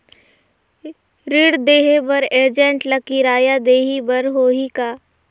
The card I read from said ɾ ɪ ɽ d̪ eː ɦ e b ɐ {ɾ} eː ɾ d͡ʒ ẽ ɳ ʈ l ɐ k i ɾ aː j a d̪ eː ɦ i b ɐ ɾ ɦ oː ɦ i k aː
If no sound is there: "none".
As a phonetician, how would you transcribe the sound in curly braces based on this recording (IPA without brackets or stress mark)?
ɾ